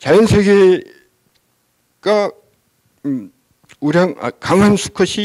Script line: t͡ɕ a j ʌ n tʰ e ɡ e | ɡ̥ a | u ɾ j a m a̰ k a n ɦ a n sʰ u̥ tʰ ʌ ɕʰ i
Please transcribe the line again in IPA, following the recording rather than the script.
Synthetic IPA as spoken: t͡ɕ a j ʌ n sʰ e ɡ e | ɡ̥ a | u ɾ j a ŋ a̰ k a ŋ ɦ a n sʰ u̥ kʰ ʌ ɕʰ i